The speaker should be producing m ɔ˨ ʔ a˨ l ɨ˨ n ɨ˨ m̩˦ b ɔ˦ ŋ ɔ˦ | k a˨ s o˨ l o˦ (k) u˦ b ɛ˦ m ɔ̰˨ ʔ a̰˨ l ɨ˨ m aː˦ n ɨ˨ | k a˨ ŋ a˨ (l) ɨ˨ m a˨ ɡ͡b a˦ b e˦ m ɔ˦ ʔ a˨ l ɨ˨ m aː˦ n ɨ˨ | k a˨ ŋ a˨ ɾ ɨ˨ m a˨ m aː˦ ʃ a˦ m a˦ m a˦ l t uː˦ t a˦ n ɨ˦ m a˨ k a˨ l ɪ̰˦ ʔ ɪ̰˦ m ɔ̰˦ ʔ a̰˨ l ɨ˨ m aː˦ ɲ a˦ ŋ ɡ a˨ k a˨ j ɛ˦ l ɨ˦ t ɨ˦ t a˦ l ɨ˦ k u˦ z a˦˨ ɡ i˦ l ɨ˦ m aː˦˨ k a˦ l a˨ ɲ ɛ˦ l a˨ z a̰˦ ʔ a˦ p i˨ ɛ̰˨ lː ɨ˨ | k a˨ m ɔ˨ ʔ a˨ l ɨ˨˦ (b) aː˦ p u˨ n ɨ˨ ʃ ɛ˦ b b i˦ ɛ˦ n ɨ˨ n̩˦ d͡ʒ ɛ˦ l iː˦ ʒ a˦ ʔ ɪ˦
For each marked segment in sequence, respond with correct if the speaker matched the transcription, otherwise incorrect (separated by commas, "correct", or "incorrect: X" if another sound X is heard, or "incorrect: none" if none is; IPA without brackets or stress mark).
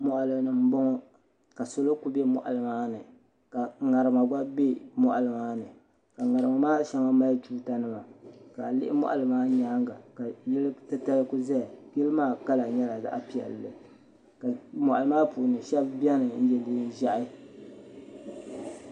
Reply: correct, incorrect: ɾ, incorrect: m